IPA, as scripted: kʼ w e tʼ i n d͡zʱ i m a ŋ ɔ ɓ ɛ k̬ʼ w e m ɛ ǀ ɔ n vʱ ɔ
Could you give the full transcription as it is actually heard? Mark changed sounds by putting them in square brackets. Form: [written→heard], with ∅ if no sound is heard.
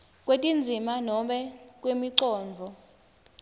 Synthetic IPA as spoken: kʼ w e tʼ i n d͡zʱ i m a [ŋ→n] ɔ ɓ ɛ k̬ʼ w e m [ɛ→i] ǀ [ɔ→ɔː] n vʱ ɔ

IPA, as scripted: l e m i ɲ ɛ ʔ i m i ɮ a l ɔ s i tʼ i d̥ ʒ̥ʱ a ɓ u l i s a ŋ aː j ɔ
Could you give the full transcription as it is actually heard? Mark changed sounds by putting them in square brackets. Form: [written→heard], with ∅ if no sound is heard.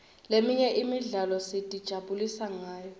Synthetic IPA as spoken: l e m i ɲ ɛ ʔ i m i ɮ a l ɔ s i tʼ i d̥ ʒ̥ʱ a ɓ u l i s a ŋ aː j ɔ

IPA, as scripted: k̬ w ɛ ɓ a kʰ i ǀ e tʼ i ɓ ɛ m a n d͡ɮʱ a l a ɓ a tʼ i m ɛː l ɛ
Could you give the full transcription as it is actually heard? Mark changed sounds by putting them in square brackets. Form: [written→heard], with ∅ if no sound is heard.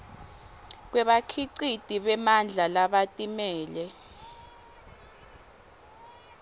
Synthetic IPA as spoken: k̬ w ɛ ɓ a kʰ i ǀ [e→i] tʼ i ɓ ɛ m a n d͡ɮʱ a l a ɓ a tʼ i m ɛː l ɛ

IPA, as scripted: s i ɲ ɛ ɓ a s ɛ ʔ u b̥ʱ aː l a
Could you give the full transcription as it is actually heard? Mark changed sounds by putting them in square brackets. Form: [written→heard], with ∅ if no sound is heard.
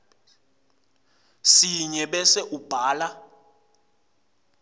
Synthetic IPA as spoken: s i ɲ ɛ ɓ [a→ɛ] s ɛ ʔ u b̥ʱ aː l a

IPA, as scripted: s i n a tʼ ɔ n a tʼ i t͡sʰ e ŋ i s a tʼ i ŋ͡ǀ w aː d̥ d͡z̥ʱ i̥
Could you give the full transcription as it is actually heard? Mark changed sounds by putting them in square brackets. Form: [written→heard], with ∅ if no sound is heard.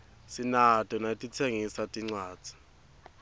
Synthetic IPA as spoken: s i n a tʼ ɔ n a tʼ i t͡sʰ e ŋ i s a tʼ i ŋ͡ǀ w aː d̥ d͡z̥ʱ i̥

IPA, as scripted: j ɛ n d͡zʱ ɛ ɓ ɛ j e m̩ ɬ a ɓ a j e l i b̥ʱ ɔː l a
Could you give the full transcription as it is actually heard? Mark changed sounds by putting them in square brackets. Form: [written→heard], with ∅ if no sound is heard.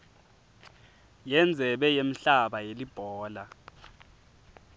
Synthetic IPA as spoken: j ɛ n d͡zʱ ɛ ɓ ɛ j e m̩ ɬ a ɓ a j e l i b̥ʱ ɔː l a

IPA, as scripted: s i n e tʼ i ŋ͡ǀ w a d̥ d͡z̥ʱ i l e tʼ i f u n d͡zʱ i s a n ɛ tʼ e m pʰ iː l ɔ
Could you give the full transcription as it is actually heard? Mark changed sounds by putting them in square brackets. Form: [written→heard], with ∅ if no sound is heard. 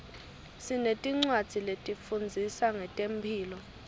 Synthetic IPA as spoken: s i n e tʼ i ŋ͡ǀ w a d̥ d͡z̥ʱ i l e tʼ i f u n d͡zʱ i s a [n→ŋ] ɛ tʼ e m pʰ iː l ɔ

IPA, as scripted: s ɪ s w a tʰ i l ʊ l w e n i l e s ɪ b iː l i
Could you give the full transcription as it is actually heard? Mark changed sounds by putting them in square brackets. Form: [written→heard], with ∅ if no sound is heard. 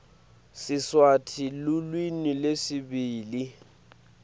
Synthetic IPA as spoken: s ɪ s w a tʰ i l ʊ l w [e→i] n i l e s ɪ b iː l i

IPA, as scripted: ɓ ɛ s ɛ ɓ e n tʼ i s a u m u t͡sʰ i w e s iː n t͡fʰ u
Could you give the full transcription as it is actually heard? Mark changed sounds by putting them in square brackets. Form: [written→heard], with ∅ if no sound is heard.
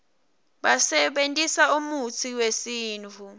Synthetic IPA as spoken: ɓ [ɛ→a] s ɛ ɓ e n tʼ i s a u m u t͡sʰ i w e s iː n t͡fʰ u

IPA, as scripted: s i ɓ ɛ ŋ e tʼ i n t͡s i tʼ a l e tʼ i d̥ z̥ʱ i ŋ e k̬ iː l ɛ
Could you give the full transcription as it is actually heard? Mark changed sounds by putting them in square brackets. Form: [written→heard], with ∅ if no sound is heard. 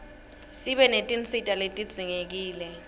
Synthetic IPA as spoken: s i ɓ ɛ [ŋ→n] e tʼ i n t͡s i tʼ a l e tʼ i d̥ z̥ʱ i ŋ e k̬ iː l ɛ

